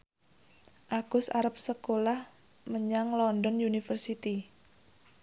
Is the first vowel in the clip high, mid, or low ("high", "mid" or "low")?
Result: low